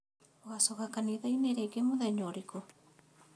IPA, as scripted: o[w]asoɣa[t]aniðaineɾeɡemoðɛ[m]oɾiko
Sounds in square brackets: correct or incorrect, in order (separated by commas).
incorrect, incorrect, incorrect